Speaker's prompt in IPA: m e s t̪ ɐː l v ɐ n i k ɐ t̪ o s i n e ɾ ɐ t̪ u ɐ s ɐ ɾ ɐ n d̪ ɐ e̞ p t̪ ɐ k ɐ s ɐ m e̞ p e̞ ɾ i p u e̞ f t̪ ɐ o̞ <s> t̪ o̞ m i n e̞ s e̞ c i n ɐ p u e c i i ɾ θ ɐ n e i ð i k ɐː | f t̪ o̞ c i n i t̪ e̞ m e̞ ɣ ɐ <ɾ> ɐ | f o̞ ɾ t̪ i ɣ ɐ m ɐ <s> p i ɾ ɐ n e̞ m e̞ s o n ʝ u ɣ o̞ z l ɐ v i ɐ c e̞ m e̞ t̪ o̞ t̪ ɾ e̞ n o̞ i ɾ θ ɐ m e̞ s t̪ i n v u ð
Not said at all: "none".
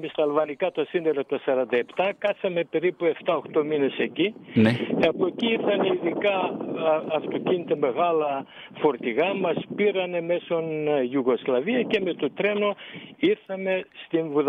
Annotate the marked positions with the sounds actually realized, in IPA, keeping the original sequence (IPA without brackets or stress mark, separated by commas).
x, l, s